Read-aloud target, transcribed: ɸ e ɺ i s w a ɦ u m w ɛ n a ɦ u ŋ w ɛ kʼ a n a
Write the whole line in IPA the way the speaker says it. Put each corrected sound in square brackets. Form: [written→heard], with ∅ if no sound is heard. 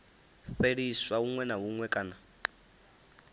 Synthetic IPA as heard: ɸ e ɺ i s w a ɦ u [m→ŋ] w ɛ n a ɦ u ŋ w ɛ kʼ a n a

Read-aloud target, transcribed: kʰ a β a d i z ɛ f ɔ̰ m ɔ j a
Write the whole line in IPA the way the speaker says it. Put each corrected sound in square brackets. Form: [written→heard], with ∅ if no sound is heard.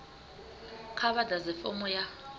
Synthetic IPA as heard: kʰ a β a d [i→a] z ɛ f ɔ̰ m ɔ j a

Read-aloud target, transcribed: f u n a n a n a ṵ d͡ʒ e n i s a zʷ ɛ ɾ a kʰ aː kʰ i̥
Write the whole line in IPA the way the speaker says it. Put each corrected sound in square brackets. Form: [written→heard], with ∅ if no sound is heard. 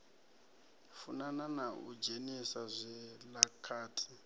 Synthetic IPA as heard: f u n a n a n a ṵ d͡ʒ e n i s a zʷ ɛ [ɾ→l] a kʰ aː [kʰ→tʰ] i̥

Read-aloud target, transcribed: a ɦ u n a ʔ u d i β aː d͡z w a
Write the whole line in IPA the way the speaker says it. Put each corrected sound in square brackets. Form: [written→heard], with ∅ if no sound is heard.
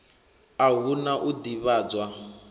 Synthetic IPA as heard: a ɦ u n a ʔ u d i β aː d͡z w a

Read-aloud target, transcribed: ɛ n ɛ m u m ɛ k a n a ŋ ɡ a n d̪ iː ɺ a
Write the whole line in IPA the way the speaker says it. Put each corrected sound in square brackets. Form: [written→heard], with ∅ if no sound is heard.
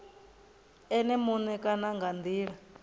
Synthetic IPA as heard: ɛ n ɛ m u [m→n] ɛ k a n a ŋ ɡ a n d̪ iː ɺ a

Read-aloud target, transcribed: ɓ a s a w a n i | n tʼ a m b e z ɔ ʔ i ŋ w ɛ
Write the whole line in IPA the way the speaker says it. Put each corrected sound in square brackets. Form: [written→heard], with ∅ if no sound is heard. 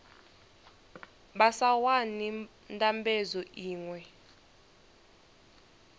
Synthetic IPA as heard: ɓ a s a w a n i | n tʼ a m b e z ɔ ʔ [i→iː] ŋ w ɛ

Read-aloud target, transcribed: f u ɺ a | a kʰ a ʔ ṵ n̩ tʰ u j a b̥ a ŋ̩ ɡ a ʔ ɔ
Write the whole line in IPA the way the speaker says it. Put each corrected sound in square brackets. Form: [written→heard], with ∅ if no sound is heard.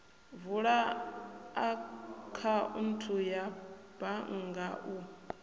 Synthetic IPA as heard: [f→v] u ɺ a | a kʰ a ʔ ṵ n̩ tʰ u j a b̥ a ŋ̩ ɡ a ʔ [ɔ→u]

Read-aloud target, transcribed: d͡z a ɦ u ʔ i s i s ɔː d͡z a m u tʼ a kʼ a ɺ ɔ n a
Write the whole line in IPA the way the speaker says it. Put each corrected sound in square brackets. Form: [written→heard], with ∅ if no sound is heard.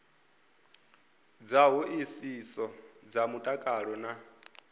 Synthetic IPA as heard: d͡z a ɦ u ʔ i s i s [ɔː→ɔ] d͡z a m u tʼ a kʼ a ɺ ɔ n a

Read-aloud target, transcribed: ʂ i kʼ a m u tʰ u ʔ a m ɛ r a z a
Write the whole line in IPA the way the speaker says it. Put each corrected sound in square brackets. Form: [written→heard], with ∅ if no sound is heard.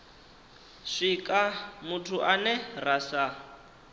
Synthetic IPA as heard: ʂ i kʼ a m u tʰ u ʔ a [m→n] ɛ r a [z→s] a

